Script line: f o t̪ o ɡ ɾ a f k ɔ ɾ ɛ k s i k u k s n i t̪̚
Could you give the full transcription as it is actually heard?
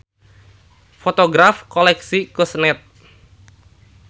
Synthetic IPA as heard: f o t̪ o ɡ ɾ a f k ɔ l ɛ k s i k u s n ɛ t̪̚